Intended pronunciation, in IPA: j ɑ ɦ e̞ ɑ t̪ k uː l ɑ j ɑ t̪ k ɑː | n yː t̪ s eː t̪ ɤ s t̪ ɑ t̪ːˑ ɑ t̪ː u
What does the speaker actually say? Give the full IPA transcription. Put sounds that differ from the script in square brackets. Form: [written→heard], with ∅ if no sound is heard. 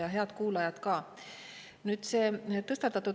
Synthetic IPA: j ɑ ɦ e̞ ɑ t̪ k uː l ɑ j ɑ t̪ k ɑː | n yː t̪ s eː t̪ ɤ s t̪ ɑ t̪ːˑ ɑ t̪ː u